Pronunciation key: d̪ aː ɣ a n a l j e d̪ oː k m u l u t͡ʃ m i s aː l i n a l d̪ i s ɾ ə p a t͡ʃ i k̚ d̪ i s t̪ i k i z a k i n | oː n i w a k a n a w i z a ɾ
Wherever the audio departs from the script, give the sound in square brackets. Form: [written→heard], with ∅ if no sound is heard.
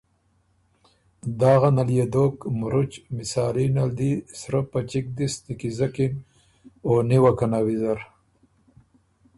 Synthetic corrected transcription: d̪ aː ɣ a n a l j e d̪ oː k m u [l→ɾ] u t͡ʃ m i s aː l i n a l d̪ i s ɾ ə p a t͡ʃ i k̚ d̪ i s t̪ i k i z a k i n | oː n i w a k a n a w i z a ɾ